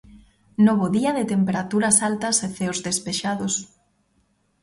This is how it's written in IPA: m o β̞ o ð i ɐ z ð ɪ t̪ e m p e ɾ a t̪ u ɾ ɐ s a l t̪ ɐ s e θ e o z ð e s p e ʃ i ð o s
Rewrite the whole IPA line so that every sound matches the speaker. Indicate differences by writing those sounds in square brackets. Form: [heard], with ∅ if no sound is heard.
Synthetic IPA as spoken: [n] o β̞ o ð i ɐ [∅] ð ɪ t̪ e m p e ɾ a t̪ u ɾ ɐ s a l t̪ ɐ s e θ e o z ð e s p e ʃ [a] ð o s